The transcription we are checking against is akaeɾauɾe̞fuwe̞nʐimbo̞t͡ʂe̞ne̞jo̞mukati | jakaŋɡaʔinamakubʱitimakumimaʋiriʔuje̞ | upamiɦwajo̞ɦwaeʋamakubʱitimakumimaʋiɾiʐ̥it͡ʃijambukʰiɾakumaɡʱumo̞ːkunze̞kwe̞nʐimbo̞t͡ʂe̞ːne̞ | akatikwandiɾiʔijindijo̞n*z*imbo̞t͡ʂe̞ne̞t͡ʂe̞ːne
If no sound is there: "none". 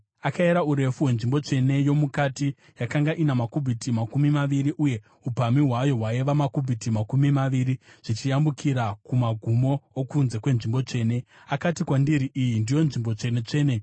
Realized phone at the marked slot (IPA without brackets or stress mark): ʐ